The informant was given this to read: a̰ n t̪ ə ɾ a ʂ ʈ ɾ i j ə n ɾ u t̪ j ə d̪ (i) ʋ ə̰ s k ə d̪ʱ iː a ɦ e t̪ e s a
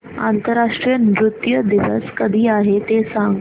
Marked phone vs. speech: correct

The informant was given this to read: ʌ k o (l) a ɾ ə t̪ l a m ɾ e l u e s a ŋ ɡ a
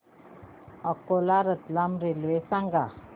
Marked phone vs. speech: correct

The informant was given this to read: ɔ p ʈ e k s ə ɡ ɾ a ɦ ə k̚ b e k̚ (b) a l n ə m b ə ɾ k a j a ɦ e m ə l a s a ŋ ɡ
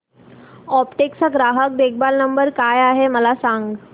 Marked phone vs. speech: correct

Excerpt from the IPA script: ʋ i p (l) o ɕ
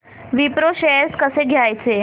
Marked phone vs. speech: incorrect: ɾ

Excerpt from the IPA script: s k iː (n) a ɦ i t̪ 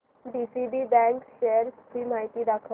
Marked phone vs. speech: incorrect: m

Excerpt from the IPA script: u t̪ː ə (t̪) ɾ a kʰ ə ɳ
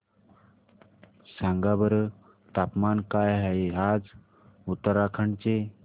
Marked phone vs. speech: incorrect: none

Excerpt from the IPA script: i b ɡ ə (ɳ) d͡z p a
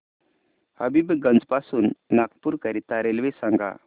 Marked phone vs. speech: incorrect: n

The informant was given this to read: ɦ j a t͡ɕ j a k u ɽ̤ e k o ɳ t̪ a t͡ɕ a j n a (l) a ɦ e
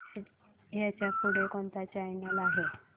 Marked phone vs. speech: correct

